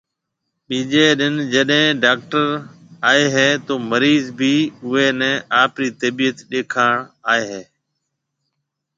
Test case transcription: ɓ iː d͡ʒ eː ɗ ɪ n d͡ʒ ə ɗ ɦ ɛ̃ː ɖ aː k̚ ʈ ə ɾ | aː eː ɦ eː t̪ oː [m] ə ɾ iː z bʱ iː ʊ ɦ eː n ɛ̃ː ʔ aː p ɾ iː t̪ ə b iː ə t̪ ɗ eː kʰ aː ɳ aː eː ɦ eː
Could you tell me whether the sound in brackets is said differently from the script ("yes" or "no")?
no